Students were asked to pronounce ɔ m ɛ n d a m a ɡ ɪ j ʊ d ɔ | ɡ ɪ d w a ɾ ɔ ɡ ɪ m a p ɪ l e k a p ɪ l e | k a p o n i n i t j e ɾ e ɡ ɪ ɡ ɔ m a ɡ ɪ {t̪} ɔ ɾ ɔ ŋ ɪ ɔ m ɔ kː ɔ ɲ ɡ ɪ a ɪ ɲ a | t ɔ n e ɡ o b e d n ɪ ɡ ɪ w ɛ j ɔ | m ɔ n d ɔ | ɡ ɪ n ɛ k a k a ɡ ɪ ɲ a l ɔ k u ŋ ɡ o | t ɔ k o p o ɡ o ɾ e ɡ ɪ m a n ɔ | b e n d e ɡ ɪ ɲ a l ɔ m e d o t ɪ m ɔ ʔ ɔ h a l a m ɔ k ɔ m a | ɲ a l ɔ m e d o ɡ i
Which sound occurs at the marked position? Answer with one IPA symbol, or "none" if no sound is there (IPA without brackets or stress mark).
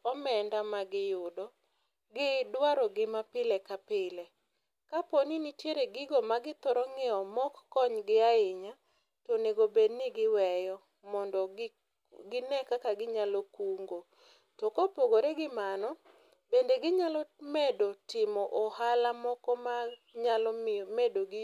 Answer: t̪